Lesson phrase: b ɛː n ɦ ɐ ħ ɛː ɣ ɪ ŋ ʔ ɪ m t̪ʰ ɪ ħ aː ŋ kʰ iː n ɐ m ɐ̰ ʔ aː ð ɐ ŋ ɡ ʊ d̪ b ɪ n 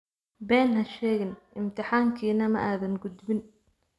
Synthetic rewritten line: b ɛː n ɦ ɐ ʃ ɛː ɣ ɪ n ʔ ɪ m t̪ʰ ɪ ħ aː ŋ kʰ iː n ɐ m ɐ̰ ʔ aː ð ɐ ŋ ɡ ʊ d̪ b ɪ n